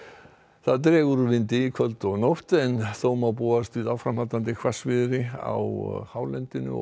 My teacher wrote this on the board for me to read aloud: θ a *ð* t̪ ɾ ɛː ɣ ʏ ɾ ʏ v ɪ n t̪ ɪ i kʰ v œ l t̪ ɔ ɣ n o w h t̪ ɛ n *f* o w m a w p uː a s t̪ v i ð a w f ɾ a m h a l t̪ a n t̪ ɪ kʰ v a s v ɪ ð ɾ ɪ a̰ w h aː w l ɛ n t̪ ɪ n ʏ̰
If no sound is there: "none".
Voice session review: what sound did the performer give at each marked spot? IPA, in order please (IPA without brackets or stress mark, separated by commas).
ð, θ